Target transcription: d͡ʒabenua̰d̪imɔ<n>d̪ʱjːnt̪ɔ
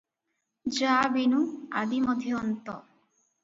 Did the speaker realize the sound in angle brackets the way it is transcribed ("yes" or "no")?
no